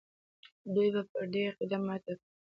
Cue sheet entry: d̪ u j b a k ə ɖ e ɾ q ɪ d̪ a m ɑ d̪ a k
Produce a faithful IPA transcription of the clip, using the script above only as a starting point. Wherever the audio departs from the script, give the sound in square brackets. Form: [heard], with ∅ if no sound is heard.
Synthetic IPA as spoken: d̪ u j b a [p] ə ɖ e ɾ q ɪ d̪ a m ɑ [t̪] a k